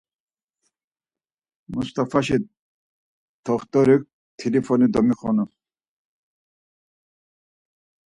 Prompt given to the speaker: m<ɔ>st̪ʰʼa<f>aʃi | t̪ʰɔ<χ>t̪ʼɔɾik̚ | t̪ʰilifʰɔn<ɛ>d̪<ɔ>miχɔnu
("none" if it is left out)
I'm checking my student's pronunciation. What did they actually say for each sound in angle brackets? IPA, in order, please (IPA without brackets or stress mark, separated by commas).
u, f, χ, i, ɔ